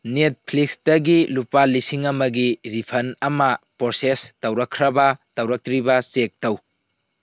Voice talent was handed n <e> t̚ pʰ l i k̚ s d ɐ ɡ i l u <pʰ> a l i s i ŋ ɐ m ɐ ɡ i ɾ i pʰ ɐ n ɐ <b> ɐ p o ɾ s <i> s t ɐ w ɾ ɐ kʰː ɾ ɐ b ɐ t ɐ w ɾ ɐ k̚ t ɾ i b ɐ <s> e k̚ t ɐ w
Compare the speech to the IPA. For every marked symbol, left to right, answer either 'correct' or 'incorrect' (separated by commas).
correct, incorrect, incorrect, incorrect, correct